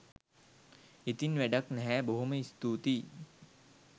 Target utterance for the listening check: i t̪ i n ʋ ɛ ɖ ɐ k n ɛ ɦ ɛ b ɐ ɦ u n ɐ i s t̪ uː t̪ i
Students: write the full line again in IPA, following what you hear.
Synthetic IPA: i t̪ i n ʋ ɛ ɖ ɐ k n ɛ ɦ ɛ b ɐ ɦ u m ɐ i s t̪ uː t̪ i